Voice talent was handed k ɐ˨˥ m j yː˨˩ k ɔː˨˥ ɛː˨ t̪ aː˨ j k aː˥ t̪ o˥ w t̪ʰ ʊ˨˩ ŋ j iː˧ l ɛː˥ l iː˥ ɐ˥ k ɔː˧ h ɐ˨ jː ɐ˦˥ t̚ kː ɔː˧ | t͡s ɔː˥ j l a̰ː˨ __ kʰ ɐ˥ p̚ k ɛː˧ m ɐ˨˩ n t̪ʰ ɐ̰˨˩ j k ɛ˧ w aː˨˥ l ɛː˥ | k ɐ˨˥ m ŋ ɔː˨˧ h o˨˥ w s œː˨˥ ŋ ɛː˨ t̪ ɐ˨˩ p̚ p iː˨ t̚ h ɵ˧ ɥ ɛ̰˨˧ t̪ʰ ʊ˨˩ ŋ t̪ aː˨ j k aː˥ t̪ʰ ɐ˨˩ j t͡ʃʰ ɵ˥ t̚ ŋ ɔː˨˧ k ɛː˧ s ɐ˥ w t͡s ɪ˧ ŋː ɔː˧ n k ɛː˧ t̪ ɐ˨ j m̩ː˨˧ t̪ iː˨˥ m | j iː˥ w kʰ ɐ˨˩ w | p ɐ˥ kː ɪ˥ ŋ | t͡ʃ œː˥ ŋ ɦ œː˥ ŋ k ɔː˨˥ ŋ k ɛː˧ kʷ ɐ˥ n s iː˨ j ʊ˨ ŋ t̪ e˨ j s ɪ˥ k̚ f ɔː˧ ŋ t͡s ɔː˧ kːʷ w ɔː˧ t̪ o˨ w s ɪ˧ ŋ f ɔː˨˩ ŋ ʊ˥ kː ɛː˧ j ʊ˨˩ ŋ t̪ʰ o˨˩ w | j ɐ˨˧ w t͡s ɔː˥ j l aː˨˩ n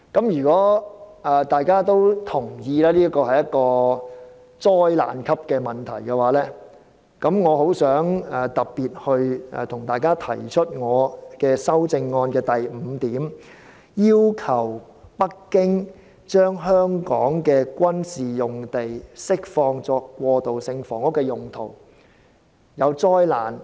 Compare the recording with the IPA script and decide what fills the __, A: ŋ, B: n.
B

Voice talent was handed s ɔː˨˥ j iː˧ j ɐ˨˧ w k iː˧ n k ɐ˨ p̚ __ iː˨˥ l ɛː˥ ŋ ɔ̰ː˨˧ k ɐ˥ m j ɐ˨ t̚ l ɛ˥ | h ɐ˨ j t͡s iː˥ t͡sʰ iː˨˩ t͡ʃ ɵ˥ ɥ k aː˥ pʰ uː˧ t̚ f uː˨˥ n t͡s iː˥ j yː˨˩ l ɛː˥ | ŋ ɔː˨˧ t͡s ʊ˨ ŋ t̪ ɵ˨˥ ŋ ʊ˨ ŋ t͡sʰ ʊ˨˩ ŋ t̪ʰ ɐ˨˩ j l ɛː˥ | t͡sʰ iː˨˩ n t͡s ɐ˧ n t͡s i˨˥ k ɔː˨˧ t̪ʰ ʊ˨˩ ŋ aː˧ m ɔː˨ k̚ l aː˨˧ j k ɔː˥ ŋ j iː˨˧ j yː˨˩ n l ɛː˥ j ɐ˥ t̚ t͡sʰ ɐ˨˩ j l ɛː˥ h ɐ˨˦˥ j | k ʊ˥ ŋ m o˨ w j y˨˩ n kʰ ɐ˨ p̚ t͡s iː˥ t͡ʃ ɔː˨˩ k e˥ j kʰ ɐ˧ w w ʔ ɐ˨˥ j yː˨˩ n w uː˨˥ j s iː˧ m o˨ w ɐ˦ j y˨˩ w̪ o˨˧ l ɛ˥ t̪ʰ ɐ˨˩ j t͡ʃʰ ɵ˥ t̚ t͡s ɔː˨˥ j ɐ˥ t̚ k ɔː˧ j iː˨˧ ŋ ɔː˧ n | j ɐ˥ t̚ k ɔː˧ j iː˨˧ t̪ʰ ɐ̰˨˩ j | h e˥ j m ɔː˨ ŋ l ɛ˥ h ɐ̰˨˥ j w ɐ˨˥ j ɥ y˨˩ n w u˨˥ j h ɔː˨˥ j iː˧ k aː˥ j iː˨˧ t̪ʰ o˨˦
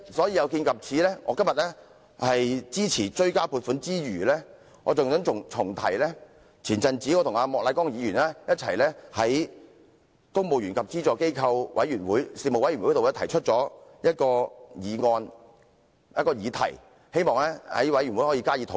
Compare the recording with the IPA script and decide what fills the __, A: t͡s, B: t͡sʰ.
B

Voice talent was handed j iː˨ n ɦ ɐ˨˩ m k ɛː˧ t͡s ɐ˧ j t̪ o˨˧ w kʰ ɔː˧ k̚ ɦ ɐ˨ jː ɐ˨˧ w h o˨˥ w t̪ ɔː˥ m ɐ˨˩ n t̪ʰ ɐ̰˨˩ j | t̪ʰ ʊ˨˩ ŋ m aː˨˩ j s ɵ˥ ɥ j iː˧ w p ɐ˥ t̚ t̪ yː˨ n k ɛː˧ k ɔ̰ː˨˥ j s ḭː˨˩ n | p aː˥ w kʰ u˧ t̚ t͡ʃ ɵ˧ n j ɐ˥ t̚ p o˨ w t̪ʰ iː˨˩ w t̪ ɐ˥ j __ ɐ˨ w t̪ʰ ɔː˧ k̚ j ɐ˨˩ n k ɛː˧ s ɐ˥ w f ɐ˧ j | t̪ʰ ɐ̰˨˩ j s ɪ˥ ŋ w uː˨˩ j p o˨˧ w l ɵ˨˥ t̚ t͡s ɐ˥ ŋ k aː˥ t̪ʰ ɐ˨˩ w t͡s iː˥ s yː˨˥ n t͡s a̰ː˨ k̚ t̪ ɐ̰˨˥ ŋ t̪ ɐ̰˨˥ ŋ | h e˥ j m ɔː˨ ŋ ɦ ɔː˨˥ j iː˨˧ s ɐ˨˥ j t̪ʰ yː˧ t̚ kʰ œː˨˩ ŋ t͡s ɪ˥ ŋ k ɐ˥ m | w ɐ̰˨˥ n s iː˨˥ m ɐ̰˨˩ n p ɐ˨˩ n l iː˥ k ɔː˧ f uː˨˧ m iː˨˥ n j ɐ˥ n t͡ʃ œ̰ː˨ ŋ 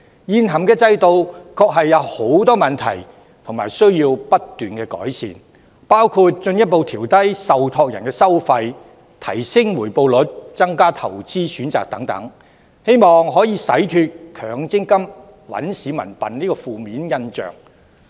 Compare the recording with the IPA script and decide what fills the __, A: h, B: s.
B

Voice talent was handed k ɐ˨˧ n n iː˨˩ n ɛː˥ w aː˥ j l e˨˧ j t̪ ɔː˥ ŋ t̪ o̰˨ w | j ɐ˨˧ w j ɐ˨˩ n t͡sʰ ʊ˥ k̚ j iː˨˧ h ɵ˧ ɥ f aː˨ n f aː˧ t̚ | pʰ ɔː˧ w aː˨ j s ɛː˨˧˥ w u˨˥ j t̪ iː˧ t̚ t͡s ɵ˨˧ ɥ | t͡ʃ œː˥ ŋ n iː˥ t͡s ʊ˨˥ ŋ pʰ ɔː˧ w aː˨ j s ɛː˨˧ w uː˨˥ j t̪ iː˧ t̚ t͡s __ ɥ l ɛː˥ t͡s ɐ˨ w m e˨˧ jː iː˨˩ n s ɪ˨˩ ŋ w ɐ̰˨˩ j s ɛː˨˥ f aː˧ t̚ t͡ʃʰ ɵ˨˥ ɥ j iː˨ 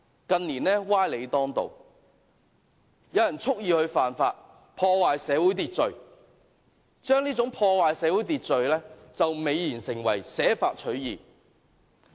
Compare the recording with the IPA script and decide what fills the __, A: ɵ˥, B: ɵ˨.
B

